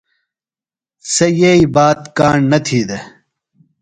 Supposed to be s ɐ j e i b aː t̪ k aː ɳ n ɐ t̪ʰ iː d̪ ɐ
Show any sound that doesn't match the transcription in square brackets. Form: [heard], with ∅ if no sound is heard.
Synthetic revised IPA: s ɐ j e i b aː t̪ k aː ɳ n ɐ t̪ʰ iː d̪ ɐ